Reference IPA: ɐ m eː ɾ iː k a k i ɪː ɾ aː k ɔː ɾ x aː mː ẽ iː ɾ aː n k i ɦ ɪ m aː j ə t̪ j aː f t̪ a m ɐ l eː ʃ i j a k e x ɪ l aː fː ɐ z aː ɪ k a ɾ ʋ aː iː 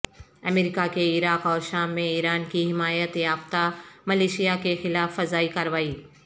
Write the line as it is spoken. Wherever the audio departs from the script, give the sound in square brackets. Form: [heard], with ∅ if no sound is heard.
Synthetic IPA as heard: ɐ m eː ɾ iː k a k [e] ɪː ɾ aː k ɔː ɾ [ʃ] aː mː ẽ iː ɾ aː n k i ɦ ɪ m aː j ə t̪ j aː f t̪ a m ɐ l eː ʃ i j a k e x ɪ l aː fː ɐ z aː [i] k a ɾ ʋ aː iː

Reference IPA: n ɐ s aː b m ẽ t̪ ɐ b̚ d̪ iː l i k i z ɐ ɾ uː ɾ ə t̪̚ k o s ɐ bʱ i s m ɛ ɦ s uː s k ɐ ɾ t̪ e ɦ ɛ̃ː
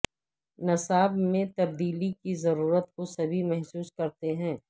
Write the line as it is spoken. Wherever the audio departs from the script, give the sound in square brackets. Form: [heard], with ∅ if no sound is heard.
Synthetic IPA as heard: n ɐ s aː b m ẽ t̪ ɐ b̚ d̪ iː l i k i z ɐ ɾ uː ɾ ə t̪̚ k o s ɐ bʱ i [∅] m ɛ ɦ s uː s k ɐ ɾ t̪ e ɦ ɛ̃ː

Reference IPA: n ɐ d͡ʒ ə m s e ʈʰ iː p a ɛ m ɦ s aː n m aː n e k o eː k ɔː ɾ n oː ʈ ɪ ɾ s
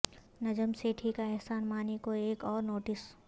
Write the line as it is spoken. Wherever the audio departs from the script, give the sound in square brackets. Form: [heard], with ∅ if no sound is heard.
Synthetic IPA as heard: n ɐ d͡ʒ ə m s e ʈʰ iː [k] a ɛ [∅] ɦ s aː n m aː n e k o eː k ɔː ɾ n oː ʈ ɪ [∅] s

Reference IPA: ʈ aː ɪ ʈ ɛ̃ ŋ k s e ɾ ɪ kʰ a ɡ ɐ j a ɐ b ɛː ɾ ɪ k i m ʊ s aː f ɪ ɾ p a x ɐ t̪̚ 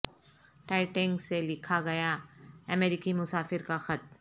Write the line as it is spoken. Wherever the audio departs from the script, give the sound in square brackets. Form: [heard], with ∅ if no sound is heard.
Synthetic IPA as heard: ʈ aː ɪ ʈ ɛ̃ ŋ [ɡ] s e [l] ɪ kʰ a ɡ ɐ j a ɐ [m] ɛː ɾ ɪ k i m ʊ s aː f ɪ ɾ [k] a x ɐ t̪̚

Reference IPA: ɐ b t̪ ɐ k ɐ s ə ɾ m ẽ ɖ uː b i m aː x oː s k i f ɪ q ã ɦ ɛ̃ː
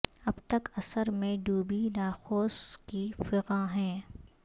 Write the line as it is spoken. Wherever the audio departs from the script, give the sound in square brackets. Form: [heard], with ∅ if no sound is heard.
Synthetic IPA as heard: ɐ b t̪ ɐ k ɐ s ə ɾ m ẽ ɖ uː b i [n] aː x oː s k i f ɪ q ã ɦ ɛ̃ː

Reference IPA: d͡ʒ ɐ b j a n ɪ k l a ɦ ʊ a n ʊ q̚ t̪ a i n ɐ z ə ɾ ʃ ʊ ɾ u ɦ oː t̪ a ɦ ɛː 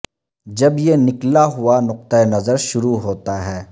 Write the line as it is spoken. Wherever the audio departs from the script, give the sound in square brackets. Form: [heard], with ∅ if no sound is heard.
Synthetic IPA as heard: d͡ʒ ɐ b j [e] n ɪ k l a ɦ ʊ a n ʊ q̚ t̪ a [e] n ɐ z ə ɾ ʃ ʊ ɾ u ɦ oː t̪ a ɦ ɛː

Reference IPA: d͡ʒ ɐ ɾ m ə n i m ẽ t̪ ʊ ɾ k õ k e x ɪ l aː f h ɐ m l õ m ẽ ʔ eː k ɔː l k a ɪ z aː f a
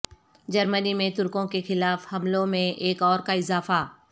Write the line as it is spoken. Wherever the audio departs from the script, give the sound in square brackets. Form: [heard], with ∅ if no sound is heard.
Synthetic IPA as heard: d͡ʒ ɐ ɾ m ə n i m ẽ t̪ ʊ ɾ k õ k e x ɪ l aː f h ɐ m l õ m ẽ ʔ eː k ɔː [ɾ] k a ɪ z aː f a

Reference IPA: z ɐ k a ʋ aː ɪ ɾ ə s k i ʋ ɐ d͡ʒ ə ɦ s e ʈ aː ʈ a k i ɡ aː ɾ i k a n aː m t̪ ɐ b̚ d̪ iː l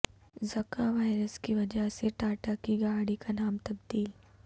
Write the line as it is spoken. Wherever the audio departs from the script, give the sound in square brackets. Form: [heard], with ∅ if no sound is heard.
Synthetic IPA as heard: z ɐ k a ʋ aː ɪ ɾ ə s k i ʋ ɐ d͡ʒ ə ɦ s e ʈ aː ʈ a k i ɡ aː [ɽ] i k a n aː m t̪ ɐ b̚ d̪ iː l

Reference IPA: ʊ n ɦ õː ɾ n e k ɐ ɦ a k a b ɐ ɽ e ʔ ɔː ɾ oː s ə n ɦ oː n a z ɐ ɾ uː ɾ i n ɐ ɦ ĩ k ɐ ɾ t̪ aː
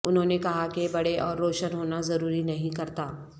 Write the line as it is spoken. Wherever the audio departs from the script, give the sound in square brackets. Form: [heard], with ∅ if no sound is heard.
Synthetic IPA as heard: ʊ n ɦ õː [∅] n e k ɐ ɦ a k [e] b ɐ ɽ e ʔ ɔː [ɾː] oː [ʃ] ə n ɦ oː n a z ɐ ɾ uː ɾ i n ɐ ɦ ĩ k ɐ ɾ t̪ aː

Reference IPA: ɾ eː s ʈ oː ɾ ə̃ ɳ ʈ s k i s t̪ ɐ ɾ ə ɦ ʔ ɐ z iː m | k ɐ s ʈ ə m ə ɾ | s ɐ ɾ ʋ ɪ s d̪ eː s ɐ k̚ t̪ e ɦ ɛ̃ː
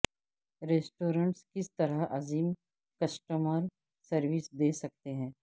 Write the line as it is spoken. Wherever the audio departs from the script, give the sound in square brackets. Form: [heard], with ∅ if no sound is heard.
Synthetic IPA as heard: ɾ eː s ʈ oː ɾ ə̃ ɳ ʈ s k [ɪ] s t̪ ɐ ɾ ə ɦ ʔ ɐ z iː m | k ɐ s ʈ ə m ə ɾ | s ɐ ɾ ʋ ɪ s d̪ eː s ɐ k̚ t̪ e ɦ ɛ̃ː

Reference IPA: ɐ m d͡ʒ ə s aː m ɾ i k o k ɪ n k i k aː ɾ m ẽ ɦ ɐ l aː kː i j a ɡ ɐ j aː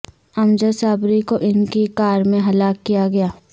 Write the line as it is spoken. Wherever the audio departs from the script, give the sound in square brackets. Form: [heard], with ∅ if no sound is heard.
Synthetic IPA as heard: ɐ m d͡ʒ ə s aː [b] ɾ i k o [ʔ] ɪ n k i k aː ɾ m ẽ ɦ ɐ l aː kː i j a ɡ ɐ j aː

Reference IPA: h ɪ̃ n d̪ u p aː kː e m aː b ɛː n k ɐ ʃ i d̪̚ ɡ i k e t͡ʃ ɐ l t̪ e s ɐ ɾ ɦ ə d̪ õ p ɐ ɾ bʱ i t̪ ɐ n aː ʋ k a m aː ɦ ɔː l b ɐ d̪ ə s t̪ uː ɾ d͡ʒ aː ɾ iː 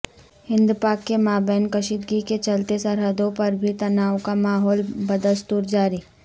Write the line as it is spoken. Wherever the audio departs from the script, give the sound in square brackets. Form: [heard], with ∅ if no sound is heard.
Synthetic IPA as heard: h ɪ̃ n d̪ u p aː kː e m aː b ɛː n k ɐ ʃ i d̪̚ ɡ i k e t͡ʃ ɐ l t̪ e s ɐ ɾ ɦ ə d̪ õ p ɐ ɾ bʱ i t̪ ɐ n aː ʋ k a m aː ɦ ɔː l b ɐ d̪ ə s t̪ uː ɾ d͡ʒ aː ɾ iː

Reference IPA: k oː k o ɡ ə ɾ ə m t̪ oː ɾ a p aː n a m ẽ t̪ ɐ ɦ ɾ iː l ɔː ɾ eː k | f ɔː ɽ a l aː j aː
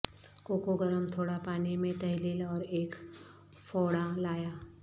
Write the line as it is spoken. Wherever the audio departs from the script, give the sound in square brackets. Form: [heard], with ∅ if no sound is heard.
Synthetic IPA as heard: k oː k o ɡ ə ɾ ə m [t̪ʰ] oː [ɽ] a p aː n [i] m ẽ t̪ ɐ ɦ [l] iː l ɔː ɾ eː k | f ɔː ɽ a l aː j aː

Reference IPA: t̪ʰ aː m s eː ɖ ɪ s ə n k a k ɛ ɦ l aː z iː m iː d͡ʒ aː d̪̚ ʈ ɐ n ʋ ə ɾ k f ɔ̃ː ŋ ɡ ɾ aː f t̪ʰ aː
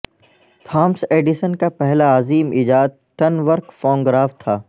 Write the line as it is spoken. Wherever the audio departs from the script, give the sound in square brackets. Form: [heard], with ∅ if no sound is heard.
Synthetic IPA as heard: t̪ʰ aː m s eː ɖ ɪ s ə n k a [p] ɛ ɦ l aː z iː m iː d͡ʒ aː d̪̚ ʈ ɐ n ʋ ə ɾ k f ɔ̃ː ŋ ɡ ɾ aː f t̪ʰ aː

